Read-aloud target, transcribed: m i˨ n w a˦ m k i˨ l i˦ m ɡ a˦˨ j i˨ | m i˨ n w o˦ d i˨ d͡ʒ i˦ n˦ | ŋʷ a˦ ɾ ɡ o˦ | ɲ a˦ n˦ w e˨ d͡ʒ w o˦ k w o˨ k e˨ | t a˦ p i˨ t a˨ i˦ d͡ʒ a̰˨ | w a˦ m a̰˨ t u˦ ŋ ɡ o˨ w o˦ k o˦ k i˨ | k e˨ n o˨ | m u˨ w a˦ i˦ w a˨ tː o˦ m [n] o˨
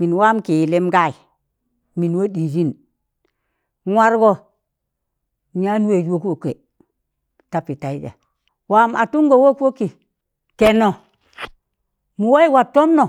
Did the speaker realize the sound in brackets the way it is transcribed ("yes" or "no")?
yes